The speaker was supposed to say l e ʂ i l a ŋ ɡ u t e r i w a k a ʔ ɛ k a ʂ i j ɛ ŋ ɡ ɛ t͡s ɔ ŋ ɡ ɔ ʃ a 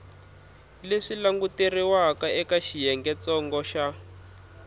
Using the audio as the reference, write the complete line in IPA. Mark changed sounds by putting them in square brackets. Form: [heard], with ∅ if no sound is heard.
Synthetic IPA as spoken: l e ʂ i l a ŋ ɡ u t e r i w a k a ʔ ɛ k a [ʃ] i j ɛ ŋ ɡ ɛ t͡s ɔ ŋ ɡ ɔ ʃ a